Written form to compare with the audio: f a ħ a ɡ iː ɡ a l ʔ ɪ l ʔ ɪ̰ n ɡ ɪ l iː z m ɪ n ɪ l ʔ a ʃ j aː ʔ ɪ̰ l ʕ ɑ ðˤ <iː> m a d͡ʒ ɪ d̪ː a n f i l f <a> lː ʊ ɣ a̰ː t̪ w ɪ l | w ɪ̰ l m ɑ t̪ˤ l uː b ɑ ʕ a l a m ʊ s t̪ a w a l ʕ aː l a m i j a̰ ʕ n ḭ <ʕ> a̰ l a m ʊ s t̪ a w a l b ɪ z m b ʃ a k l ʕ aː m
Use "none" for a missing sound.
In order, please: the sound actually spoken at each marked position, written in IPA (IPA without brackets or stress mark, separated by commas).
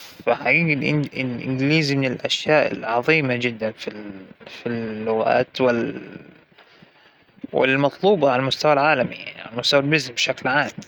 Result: iː, i, ʕ